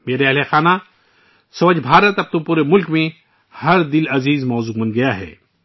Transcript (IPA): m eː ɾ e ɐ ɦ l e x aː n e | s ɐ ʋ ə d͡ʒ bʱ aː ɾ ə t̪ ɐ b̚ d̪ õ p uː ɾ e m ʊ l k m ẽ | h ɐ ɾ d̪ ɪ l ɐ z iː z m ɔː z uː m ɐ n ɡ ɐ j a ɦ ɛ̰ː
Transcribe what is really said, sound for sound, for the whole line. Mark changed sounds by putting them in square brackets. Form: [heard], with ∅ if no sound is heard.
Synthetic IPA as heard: m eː ɾ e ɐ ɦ l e x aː n [a] | s ɐ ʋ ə d͡ʒ bʱ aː ɾ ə t̪ ɐ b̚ [t̪] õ p uː ɾ e m ʊ l k m ẽ | h ɐ ɾ d̪ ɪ l ɐ z iː z m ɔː z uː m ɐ n ɡ ɐ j a ɦ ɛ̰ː